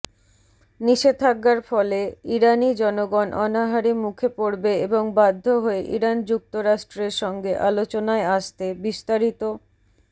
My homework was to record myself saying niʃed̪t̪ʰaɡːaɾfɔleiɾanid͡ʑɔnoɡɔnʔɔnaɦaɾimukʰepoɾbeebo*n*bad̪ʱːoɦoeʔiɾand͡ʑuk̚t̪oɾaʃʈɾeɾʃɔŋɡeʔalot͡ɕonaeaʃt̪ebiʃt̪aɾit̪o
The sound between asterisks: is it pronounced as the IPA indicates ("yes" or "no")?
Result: no